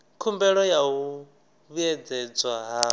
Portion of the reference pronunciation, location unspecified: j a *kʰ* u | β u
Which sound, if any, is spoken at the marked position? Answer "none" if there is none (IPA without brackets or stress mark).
none